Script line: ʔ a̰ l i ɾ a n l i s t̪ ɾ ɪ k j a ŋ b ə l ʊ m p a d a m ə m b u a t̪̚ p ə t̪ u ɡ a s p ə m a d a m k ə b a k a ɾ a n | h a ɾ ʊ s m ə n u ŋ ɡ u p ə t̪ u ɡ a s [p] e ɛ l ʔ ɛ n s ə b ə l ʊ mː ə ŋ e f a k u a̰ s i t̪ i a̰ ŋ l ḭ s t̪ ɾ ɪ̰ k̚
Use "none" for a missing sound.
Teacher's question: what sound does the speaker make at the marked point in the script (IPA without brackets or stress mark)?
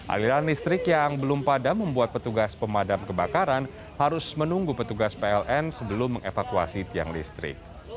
p